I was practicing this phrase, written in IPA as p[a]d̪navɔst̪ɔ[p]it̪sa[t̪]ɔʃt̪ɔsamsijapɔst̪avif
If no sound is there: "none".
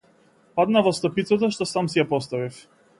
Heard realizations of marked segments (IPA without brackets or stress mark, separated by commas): a, p, t̪